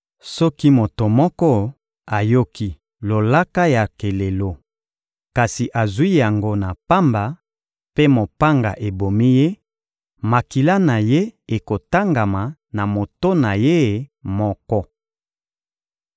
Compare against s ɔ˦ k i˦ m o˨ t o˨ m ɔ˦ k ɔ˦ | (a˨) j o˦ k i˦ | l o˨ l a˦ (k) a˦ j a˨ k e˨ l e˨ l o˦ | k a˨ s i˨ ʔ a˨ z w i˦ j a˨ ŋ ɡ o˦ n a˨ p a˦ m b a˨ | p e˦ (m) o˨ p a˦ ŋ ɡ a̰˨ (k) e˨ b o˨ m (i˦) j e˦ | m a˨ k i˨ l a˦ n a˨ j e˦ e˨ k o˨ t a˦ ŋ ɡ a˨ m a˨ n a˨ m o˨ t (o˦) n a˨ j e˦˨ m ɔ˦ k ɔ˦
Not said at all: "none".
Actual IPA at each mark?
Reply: a˨, k, m, ʔ, i˦, o˦

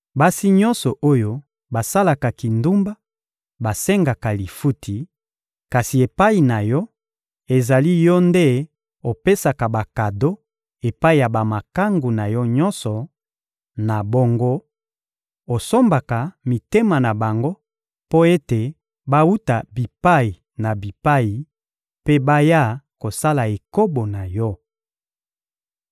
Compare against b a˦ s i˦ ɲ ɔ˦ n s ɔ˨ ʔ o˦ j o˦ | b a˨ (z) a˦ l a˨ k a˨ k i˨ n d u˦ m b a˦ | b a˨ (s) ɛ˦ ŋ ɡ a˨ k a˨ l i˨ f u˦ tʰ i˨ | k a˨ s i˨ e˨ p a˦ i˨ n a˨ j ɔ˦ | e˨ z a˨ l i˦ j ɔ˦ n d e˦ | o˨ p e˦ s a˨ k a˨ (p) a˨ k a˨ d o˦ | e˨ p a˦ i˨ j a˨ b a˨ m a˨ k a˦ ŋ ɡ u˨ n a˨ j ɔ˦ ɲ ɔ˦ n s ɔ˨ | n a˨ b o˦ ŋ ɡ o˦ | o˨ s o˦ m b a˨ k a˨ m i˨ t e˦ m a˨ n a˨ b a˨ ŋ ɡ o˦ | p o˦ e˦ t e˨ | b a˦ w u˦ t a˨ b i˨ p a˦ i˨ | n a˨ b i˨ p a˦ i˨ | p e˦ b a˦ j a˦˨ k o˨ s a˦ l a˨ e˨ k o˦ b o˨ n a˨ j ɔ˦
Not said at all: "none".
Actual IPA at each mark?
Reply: s, s, b

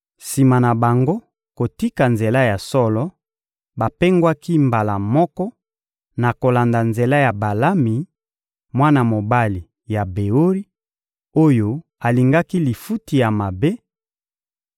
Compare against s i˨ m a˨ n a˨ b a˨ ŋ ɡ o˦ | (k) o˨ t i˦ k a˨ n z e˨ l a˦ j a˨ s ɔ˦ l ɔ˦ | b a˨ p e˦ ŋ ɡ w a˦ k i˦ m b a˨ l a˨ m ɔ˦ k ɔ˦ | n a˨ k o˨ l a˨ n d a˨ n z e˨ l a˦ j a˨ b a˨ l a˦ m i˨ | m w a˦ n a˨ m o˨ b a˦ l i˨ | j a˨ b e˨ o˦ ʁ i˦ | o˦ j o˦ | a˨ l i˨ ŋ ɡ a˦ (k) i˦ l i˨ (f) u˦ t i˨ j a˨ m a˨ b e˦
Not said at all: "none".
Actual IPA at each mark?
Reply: k, k, f

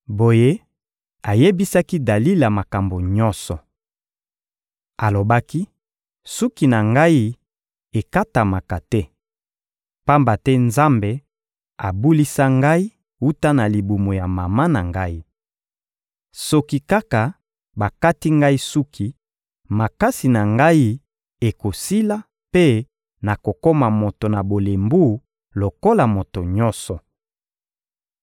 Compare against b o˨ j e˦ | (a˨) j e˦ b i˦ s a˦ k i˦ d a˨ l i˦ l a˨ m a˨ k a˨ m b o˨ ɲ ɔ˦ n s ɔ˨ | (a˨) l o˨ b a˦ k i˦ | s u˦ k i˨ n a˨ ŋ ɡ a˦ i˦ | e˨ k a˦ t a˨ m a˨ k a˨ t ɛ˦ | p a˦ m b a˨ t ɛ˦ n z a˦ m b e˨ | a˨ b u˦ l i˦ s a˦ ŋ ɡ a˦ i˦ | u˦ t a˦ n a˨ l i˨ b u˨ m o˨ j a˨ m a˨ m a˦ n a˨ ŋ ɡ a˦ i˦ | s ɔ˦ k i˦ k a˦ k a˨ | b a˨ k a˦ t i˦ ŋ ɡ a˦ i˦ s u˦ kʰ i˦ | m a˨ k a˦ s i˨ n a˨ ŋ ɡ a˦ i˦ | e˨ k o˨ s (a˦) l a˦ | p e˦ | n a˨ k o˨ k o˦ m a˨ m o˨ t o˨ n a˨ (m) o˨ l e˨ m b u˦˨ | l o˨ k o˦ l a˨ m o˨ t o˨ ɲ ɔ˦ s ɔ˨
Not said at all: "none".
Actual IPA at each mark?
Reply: a˨, a˨, i˦, b

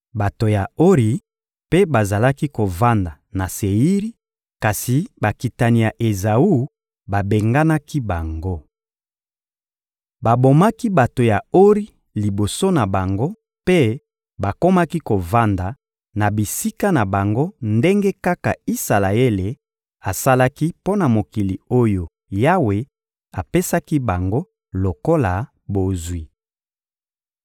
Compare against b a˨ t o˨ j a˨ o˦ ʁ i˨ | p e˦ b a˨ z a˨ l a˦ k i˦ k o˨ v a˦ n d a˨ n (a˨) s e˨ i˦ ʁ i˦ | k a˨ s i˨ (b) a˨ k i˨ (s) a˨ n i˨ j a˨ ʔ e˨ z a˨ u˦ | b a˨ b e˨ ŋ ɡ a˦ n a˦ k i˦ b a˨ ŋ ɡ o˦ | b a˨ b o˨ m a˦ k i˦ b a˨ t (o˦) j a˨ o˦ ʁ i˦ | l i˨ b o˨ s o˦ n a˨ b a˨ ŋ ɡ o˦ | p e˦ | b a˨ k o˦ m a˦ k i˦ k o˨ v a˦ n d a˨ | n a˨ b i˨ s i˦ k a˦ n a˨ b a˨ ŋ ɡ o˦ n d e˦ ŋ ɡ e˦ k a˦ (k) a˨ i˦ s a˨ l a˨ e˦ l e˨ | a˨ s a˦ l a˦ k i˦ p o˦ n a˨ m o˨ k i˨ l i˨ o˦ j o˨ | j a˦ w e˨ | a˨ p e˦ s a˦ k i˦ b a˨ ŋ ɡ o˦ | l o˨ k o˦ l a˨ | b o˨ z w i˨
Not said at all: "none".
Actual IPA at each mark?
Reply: a˨, b, t, o˨, k

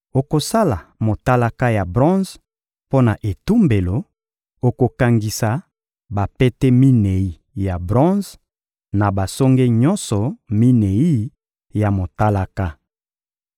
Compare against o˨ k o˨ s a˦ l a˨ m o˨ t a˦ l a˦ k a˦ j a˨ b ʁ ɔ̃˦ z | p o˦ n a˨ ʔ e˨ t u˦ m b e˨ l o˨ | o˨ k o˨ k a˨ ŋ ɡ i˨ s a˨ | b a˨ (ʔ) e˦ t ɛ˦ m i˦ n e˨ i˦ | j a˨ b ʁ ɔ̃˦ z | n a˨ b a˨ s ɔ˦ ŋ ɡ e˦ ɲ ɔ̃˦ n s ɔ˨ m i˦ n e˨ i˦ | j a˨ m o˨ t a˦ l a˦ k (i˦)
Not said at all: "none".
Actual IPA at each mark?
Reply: p, a˦

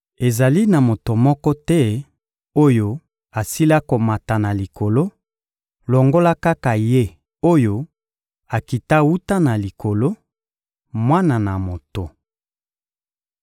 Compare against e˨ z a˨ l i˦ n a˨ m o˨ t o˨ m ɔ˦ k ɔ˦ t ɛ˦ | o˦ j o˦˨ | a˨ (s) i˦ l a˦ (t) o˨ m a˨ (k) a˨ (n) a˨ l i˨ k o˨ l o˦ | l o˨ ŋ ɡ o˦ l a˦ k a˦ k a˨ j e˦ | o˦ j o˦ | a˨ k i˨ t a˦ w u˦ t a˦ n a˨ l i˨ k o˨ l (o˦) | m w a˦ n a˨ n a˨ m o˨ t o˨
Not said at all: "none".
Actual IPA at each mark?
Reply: s, k, t, n, o˦

